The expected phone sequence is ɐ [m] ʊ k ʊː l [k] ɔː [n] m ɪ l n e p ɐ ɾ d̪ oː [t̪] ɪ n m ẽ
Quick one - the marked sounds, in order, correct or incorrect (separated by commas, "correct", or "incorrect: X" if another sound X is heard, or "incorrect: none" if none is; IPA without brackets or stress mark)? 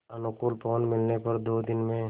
incorrect: n, incorrect: p, correct, incorrect: d̪